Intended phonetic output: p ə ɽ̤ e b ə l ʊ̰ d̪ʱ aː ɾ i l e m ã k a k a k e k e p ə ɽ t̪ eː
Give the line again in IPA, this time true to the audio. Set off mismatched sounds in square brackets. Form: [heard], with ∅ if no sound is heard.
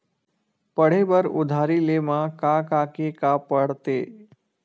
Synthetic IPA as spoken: p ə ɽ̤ e b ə [ɾ] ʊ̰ d̪ʱ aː ɾ i l e m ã k a k a k e k [a] p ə ɽ t̪ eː